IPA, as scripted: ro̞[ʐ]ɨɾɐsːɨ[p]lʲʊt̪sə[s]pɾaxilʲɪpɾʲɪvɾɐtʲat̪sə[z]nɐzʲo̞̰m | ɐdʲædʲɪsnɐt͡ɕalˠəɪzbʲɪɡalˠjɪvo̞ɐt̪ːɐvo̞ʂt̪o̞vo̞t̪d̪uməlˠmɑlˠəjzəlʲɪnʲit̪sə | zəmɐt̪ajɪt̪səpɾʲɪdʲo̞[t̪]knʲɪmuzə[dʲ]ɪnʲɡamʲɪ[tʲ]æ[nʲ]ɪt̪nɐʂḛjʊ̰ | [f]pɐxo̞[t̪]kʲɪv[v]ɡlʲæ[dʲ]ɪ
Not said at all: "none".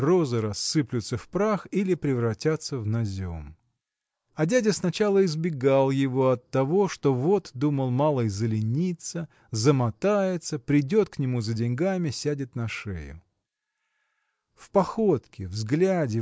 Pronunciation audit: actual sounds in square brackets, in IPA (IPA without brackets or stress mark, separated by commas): z, p, f, v, t̪, dʲ, sʲ, dʲ, f, t̪, z, dʲ